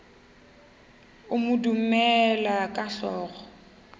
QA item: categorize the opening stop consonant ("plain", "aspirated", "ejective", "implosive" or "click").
plain